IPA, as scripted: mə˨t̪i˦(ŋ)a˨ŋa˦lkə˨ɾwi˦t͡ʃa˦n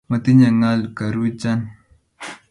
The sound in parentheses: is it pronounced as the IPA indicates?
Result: no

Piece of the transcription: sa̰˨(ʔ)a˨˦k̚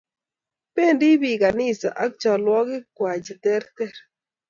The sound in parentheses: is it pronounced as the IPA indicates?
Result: yes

